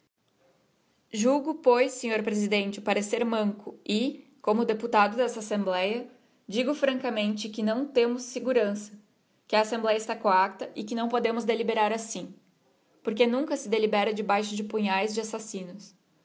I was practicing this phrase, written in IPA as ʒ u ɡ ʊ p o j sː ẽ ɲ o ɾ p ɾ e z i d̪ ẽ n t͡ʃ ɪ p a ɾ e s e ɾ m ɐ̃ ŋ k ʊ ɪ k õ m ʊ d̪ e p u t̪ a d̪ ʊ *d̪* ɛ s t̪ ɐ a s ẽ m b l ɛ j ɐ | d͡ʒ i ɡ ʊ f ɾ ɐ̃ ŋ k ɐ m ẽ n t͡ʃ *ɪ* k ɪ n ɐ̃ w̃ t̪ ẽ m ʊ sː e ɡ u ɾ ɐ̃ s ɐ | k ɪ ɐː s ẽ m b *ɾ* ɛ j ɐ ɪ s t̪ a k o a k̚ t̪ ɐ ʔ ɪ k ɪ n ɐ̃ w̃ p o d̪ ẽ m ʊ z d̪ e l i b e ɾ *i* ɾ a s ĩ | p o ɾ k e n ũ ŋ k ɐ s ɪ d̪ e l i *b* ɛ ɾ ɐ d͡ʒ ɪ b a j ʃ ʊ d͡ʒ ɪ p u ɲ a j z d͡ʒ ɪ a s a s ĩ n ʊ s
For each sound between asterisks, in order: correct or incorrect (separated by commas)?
correct, correct, incorrect, incorrect, correct